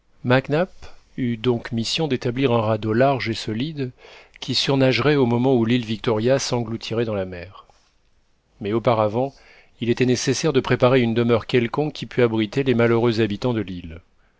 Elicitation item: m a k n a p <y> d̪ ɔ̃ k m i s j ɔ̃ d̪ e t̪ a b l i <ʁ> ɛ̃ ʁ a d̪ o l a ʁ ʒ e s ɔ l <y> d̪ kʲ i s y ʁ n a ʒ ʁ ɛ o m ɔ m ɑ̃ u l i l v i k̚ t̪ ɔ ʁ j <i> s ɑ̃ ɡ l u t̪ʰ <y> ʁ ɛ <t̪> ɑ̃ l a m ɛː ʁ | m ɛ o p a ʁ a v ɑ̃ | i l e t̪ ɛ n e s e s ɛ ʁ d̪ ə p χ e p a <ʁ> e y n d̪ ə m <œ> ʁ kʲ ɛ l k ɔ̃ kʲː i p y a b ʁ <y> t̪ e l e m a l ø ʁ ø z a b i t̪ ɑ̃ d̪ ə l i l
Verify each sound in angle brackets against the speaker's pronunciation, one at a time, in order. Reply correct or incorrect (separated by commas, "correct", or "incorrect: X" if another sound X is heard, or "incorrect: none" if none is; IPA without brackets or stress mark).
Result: correct, correct, incorrect: i, incorrect: a, incorrect: i, incorrect: d̪, correct, correct, incorrect: i